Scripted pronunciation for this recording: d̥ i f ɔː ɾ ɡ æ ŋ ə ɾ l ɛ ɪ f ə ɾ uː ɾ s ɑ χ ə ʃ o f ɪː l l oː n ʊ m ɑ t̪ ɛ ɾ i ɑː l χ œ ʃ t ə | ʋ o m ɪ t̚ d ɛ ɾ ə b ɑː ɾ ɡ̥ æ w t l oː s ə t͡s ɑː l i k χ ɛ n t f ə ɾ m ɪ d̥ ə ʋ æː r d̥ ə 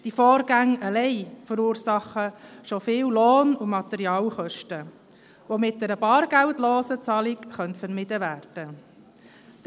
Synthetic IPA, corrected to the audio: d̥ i f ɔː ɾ ɡ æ ŋ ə l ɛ ɪ f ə ɾ uː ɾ s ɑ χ ə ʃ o f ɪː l l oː n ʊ m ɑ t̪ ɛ ɾ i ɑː l χ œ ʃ t ə | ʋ o m ɪ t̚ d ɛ ɾ ə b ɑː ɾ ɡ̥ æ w t l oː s ə t͡s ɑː l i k χ œ n t f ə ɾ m ɪ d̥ ə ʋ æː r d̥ ə